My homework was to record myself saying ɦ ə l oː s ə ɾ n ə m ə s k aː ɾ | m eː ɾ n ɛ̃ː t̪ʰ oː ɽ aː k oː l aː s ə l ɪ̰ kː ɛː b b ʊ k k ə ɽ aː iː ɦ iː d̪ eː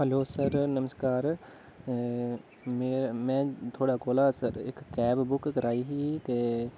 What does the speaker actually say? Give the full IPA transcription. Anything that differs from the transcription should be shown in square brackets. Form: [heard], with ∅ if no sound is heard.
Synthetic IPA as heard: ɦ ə l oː s ə ɾ n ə m ə s k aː ɾ | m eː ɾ [m] ɛ̃ː t̪ʰ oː ɽ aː k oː l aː s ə [ɾ] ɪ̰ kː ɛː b b ʊ k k ə [ɾ] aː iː ɦ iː [t̪] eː

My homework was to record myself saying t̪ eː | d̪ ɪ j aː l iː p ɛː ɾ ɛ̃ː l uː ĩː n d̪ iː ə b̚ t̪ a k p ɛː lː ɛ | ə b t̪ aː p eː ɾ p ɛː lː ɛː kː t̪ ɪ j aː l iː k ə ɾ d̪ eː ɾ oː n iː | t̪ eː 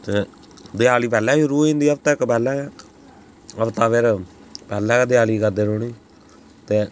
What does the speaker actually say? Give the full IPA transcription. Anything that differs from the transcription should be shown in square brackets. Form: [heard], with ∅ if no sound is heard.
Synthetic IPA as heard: t̪ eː | d̪ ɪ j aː l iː p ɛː [l] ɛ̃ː [ɾ] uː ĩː n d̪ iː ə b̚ t̪ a k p ɛː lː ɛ | ə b t̪ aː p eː ɾ p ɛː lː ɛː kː [d̪] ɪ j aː l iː k ə ɾ d̪ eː ɾ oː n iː | t̪ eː

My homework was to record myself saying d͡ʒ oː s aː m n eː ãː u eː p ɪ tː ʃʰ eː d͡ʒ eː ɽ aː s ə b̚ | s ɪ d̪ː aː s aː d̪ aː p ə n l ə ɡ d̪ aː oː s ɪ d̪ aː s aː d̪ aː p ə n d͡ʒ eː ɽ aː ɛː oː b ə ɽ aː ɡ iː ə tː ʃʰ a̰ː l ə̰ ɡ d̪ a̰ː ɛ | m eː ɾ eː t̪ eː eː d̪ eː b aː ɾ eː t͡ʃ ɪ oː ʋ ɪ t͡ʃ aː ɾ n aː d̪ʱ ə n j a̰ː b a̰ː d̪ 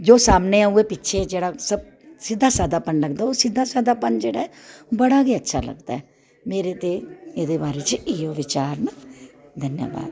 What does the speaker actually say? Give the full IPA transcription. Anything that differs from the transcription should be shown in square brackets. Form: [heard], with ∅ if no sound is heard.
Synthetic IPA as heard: d͡ʒ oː s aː m n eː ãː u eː p ɪ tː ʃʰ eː d͡ʒ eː ɽ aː s ə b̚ | s ɪ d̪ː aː s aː d̪ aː p ə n l ə ɡ d̪ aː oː s ɪ d̪ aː s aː d̪ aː p ə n d͡ʒ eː ɽ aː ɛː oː b ə ɽ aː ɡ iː ə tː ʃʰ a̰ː l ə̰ ɡ d̪ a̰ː ɛ | m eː ɾ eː t̪ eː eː d̪ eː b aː ɾ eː t͡ʃ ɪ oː ʋ ɪ t͡ʃ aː ɾ n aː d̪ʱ ə n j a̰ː b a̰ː d̪

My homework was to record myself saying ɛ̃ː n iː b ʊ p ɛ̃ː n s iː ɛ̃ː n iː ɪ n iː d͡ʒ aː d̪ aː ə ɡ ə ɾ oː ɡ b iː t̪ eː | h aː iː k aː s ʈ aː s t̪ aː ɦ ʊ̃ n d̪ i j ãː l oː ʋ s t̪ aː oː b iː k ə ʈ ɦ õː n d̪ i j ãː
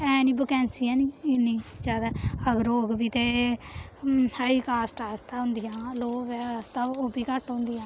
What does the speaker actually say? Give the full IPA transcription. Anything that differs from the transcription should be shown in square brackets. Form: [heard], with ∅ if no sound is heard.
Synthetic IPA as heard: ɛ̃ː n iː b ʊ [k] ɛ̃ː n s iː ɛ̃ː n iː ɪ n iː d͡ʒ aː d̪ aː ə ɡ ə ɾ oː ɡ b iː t̪ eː | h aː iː k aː s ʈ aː s t̪ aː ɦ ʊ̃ n d̪ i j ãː l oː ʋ s t̪ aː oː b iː k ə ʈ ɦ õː n d̪ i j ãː

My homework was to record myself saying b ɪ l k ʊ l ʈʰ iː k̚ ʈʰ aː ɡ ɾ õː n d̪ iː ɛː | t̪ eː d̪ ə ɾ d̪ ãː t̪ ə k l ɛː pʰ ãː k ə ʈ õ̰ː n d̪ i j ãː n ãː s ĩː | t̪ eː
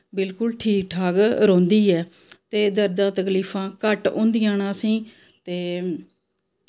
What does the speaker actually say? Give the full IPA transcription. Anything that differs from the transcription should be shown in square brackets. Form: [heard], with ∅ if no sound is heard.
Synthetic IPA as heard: b ɪ l k ʊ l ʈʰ iː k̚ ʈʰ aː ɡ ɾ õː n d̪ iː ɛː | t̪ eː d̪ ə ɾ d̪ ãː t̪ ə k l [iː] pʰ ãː k ə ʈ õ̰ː n d̪ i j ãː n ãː s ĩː | t̪ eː

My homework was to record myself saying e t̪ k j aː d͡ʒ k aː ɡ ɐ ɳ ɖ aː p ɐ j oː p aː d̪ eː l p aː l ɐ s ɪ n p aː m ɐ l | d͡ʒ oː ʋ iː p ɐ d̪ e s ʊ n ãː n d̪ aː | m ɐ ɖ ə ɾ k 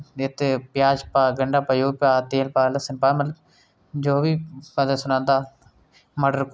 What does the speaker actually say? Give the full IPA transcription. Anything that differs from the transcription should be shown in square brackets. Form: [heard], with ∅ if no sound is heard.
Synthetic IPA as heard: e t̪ [p] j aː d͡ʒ [p] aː ɡ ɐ ɳ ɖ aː p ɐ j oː p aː [t̪] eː l p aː l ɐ s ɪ n p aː m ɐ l | d͡ʒ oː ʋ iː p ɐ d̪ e s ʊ n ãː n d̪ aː | m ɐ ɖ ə ɾ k

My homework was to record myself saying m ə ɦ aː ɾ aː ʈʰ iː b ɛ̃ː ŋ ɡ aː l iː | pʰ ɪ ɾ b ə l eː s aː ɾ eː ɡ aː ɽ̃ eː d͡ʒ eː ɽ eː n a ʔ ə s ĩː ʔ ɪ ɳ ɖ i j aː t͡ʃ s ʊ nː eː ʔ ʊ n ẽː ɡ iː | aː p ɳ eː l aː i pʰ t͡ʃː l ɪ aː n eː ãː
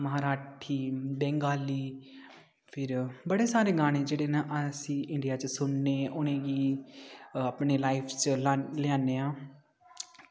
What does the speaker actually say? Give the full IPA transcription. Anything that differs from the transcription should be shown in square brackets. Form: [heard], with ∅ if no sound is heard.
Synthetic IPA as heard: m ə ɦ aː ɾ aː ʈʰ iː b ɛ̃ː ŋ ɡ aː l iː | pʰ ɪ ɾ b ə [ɽ] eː s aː ɾ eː ɡ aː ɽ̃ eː d͡ʒ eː ɽ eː n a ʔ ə s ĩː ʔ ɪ ɳ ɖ i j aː t͡ʃ s ʊ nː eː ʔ ʊ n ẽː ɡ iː | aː p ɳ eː l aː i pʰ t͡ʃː l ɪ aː n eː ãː

